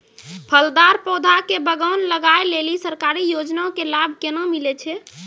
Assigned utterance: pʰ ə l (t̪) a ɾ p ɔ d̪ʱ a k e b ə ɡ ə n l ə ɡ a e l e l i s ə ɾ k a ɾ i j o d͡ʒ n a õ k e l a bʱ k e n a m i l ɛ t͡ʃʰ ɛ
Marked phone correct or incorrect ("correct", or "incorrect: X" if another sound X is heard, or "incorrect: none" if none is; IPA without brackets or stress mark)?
incorrect: d̪